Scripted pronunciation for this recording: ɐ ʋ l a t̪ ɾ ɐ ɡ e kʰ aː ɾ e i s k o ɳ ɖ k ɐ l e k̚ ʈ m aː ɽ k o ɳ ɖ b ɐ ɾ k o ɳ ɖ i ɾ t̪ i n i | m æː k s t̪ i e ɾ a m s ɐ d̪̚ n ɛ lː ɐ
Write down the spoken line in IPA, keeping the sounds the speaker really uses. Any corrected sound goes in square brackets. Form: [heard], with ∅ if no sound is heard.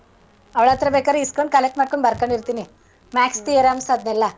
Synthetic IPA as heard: ɐ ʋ [ɭ] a t̪ ɾ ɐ [b] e [k] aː ɾ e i s k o ɳ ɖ k ɐ l e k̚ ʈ m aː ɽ k o ɳ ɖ b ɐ ɾ k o ɳ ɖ i ɾ t̪ i n i | m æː k s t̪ i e ɾ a m s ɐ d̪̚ n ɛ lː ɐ